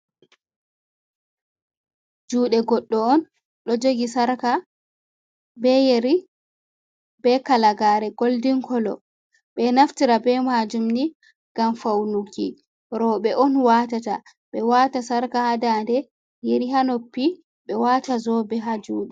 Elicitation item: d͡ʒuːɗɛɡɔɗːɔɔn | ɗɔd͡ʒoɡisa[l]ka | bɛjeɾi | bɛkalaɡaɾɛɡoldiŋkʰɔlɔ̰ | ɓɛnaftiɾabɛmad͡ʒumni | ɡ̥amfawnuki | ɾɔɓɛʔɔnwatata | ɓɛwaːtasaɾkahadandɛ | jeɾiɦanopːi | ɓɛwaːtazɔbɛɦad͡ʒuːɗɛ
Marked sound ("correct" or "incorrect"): incorrect